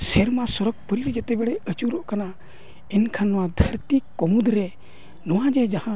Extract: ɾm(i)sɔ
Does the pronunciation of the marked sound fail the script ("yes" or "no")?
yes